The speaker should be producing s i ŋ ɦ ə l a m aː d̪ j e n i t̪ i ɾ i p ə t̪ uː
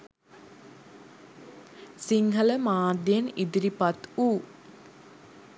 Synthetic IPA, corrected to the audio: s i ŋ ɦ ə l ə m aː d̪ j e n i d̪ i ɾ i p a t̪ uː